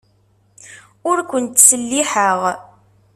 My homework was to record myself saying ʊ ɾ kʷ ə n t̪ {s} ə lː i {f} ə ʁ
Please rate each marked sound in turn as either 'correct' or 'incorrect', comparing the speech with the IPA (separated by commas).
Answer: correct, incorrect